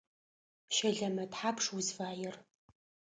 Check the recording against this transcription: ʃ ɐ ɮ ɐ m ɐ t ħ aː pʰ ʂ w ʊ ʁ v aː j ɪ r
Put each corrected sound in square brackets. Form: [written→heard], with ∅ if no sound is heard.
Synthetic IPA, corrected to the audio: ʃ ɐ ɮ ɐ m ɐ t ħ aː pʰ ʂ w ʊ [ʁ→z] v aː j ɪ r